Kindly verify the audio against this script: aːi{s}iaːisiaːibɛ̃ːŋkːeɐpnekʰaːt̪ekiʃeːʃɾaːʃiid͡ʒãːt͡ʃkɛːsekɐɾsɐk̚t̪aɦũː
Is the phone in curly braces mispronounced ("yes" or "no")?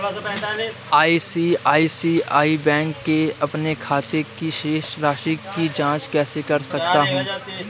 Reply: no